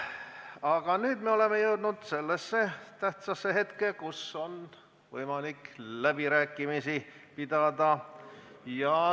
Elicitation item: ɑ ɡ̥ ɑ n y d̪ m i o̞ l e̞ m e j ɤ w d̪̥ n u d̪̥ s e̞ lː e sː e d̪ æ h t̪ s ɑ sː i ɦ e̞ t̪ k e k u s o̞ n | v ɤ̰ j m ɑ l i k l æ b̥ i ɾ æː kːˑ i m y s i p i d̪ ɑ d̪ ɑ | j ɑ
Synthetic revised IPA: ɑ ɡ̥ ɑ n yː d̪ m e o̞ l e̞ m e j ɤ w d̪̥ n u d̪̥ s e̞ lː e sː e t̪ æ h t̪ s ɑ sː e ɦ e̞ t̪ k e k u s o̞ n | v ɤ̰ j m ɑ l i k l æ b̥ i ɾ æː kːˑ i m i s i p i d̪ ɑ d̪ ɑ | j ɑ